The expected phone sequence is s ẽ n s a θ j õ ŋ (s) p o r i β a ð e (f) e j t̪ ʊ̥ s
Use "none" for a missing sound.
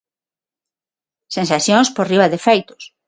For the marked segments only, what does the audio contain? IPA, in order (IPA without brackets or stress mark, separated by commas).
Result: s, f